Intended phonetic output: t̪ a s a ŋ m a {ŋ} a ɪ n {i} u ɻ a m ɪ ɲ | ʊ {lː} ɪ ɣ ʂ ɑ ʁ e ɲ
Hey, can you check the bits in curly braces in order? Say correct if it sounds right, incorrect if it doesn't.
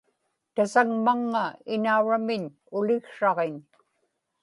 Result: incorrect, incorrect, incorrect

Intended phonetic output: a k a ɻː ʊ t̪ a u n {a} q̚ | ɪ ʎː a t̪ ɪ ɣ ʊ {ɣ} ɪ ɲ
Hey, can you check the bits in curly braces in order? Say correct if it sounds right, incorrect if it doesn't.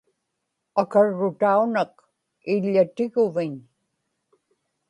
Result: correct, incorrect

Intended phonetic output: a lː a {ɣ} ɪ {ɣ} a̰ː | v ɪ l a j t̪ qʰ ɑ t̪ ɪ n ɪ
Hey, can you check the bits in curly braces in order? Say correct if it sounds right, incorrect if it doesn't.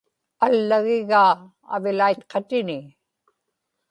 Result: correct, correct

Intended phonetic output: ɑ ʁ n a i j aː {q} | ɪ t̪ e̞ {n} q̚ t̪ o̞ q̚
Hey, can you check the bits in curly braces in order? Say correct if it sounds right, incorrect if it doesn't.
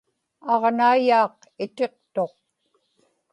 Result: correct, incorrect

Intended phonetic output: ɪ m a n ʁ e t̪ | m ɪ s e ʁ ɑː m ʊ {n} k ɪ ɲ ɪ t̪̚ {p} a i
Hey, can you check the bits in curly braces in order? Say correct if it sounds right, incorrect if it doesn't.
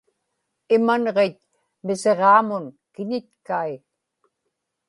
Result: correct, incorrect

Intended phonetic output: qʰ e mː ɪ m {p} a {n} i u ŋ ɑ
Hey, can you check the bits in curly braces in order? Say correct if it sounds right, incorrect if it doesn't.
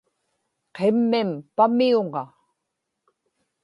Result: correct, incorrect

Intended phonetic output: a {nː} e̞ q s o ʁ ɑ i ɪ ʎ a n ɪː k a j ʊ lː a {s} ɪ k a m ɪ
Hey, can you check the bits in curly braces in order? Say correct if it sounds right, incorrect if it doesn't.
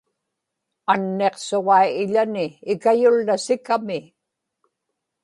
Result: correct, correct

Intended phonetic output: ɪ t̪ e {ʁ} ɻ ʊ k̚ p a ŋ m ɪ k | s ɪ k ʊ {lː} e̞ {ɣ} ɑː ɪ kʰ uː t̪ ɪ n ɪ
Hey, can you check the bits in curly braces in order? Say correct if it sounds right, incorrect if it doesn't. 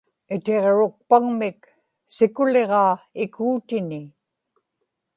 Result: correct, incorrect, incorrect

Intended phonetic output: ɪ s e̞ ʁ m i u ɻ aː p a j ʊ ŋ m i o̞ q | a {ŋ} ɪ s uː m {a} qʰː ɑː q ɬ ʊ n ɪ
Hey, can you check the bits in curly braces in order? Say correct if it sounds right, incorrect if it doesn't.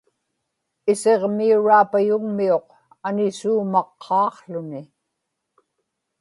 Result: incorrect, incorrect

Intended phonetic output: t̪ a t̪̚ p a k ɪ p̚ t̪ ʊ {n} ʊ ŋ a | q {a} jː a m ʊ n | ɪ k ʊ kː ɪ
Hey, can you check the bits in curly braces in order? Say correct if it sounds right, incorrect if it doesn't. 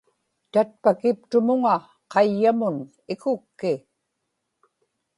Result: incorrect, incorrect

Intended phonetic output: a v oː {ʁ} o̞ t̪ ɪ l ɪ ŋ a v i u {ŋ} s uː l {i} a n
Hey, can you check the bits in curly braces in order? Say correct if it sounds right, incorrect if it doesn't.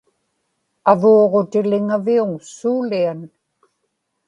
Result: correct, correct, correct

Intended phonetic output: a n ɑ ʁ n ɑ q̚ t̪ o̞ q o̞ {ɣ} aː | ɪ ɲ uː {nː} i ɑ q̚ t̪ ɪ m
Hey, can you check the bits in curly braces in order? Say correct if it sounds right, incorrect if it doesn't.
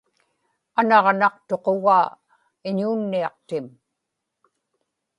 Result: correct, correct

